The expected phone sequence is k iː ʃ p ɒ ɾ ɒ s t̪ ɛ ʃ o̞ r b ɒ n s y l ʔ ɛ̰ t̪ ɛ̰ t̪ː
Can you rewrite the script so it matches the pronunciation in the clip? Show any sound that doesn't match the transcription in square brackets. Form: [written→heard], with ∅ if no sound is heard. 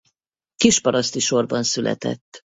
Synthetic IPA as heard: k [iː→i] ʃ p ɒ ɾ ɒ s t̪ [ɛ→i] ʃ o̞ r b ɒ n s y l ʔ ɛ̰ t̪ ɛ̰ t̪ː